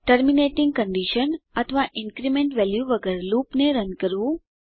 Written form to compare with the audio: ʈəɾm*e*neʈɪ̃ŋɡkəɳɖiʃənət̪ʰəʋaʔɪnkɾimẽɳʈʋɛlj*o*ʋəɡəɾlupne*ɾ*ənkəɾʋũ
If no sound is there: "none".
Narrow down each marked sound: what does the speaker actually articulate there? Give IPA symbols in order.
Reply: i, u, ɾ

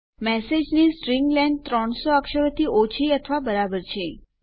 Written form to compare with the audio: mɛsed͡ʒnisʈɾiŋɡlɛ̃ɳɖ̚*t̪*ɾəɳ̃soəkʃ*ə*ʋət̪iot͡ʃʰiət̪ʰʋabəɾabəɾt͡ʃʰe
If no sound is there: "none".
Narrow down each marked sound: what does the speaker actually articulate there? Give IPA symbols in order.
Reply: t̪, ə

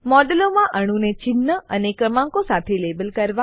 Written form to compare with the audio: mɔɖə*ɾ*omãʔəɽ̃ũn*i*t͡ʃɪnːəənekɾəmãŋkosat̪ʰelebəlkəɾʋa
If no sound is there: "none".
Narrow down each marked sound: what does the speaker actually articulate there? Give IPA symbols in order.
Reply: l, e

